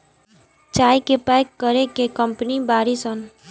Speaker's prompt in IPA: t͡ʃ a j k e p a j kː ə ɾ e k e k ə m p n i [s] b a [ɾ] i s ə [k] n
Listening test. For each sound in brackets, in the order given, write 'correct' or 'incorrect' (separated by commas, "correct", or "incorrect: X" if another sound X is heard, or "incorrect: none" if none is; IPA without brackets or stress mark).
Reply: incorrect: none, correct, incorrect: none